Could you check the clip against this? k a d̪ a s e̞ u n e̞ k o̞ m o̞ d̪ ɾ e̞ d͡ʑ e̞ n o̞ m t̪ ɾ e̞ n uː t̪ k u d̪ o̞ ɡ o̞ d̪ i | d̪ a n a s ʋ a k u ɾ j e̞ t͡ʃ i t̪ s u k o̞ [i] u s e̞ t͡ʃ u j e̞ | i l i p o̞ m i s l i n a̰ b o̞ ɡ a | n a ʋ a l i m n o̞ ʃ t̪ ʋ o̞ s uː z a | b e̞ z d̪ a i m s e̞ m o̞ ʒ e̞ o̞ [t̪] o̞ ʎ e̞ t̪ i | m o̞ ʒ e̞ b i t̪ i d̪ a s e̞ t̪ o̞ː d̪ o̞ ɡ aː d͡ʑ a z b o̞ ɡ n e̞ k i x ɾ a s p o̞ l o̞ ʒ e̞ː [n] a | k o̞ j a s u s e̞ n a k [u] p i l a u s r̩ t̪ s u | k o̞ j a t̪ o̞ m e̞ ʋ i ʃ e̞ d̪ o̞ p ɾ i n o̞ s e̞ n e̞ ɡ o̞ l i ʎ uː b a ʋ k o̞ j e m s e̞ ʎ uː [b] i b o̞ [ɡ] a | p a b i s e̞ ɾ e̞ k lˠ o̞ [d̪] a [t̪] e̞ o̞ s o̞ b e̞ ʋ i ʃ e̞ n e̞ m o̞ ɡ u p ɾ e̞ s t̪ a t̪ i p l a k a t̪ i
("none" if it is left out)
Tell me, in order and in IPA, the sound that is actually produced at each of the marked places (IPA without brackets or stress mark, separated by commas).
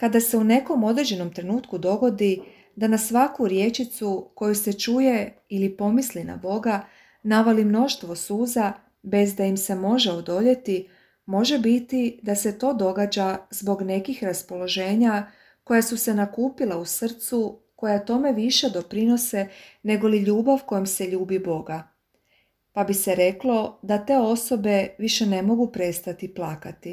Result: j, d̪, ɲ, uː, b, ɡ, d̪, t̪